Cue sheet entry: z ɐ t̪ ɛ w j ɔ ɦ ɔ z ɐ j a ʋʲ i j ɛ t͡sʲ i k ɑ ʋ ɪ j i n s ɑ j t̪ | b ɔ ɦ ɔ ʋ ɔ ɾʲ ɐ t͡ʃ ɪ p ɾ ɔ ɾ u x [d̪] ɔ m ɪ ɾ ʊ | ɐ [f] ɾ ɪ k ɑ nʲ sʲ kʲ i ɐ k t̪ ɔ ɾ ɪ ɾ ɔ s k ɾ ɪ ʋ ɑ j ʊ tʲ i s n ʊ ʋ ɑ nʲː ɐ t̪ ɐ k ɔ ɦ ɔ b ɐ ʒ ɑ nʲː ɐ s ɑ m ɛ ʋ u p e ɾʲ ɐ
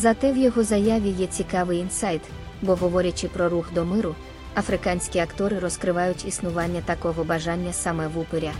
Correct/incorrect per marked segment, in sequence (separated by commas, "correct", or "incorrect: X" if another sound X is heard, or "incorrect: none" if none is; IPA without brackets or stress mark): correct, correct